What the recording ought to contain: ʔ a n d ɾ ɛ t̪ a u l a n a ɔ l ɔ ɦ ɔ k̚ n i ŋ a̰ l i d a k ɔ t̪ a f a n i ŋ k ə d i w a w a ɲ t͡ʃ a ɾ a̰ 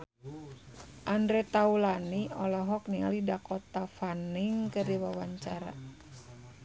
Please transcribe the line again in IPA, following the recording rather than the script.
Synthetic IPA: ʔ a n d ɾ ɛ t̪ a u l a n i ɔ l ɔ ɦ ɔ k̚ n i ŋ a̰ l i d a k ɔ t̪ a f a n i ŋ k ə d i w a w a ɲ t͡ʃ a ɾ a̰